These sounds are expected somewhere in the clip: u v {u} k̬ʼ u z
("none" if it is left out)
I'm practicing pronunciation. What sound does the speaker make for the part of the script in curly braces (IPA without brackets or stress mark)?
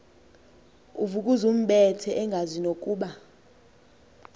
u